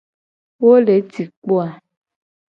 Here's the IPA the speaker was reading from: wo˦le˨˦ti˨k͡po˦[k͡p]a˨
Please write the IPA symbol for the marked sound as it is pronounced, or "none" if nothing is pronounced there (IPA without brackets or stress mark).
none